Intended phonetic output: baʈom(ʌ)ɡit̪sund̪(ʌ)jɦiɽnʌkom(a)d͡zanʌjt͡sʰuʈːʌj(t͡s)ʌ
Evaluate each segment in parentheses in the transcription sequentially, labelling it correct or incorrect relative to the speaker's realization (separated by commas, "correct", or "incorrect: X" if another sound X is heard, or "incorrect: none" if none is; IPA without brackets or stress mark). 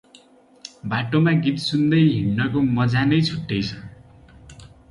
incorrect: a, correct, incorrect: ʌ, incorrect: t͡sʰ